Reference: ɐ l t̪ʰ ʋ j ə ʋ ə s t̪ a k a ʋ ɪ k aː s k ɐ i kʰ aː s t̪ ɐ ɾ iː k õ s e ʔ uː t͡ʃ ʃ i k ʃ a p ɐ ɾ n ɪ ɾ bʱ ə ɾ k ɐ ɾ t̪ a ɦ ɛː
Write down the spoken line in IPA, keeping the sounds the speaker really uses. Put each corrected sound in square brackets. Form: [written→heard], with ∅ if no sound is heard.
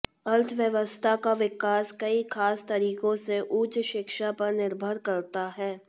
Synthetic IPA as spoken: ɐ l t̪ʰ ʋ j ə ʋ ə s [t̪→t̪ʰ] a k a ʋ ɪ k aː s k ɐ i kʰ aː s t̪ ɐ ɾ iː k õ s e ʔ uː t͡ʃ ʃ [i→ɪ] k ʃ a p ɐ ɾ n ɪ ɾ bʱ ə ɾ k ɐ ɾ t̪ a ɦ ɛː